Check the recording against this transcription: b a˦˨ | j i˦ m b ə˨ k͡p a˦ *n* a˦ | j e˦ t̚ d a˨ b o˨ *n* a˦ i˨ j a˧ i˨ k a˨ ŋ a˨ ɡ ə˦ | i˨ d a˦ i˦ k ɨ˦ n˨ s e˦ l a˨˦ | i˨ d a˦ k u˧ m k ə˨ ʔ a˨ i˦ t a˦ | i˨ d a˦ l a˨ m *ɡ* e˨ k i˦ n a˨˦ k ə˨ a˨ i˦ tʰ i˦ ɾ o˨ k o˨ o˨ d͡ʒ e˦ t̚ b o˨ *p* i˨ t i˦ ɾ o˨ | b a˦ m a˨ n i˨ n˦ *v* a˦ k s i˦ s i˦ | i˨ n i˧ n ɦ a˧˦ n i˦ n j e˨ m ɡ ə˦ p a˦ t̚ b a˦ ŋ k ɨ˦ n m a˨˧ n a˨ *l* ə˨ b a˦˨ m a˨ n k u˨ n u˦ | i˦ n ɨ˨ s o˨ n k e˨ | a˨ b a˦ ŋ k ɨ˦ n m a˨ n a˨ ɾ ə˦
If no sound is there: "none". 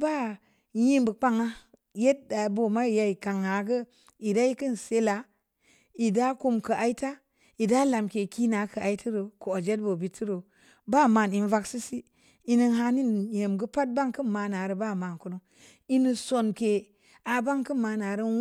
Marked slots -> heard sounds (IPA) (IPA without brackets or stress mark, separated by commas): ŋ, m, k, b, v, ɾ